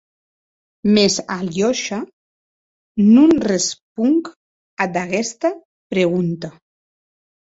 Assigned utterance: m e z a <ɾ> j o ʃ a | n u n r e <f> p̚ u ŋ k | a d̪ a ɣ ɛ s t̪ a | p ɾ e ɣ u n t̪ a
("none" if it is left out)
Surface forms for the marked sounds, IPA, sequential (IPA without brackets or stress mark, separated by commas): l, s